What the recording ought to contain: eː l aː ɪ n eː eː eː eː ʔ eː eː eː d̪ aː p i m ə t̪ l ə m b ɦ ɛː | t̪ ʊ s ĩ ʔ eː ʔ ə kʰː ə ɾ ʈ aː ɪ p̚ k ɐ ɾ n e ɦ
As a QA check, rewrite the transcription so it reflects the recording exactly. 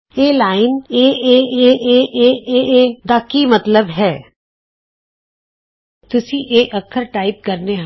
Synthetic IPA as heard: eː l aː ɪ n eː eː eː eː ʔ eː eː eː d̪ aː k i m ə t̪ l ə b ɦ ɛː | t̪ ʊ s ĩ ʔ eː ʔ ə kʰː ə ɾ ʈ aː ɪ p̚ k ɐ ɾ n e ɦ